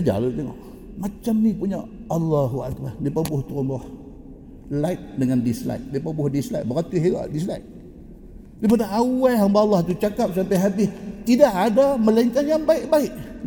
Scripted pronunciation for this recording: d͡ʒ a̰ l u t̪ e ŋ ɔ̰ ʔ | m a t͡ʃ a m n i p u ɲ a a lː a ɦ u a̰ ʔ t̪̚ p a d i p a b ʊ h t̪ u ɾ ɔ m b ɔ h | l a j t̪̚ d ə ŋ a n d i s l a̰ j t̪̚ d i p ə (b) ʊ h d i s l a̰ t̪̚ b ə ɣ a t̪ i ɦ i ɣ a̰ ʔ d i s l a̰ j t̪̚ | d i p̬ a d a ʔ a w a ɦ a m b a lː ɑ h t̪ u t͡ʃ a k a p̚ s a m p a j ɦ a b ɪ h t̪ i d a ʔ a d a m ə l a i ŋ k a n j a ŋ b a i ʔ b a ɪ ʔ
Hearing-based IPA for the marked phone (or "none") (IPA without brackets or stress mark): b